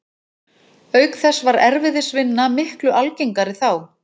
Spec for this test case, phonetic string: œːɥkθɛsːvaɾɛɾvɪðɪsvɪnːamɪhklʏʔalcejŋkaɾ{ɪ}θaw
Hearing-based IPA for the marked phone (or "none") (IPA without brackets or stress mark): ɪ